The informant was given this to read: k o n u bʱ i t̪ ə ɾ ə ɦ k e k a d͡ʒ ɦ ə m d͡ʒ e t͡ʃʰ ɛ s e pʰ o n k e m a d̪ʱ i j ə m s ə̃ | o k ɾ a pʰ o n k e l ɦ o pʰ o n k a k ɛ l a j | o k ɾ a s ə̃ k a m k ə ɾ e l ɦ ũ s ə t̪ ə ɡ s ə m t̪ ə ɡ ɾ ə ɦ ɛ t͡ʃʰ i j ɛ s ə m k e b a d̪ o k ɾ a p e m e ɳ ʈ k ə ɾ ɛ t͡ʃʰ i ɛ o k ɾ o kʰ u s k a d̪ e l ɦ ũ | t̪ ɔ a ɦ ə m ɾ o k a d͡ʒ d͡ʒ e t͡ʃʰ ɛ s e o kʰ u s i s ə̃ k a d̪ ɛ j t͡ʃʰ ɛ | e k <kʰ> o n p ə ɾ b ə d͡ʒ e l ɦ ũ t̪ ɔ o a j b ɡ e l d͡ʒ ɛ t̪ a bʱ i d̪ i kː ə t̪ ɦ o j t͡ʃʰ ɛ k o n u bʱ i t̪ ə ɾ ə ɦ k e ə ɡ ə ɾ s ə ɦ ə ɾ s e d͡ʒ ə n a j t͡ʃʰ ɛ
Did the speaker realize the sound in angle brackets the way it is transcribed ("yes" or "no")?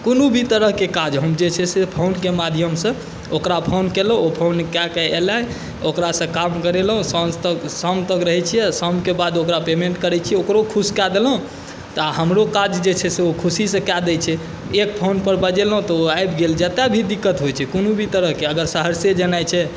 no